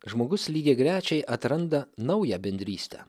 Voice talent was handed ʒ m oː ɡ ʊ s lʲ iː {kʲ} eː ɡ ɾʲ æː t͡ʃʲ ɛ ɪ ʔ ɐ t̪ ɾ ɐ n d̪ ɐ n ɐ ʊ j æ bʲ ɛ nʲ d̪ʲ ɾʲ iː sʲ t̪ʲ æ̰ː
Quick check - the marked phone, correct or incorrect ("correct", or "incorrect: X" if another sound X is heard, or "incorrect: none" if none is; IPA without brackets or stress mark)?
incorrect: ɡʲ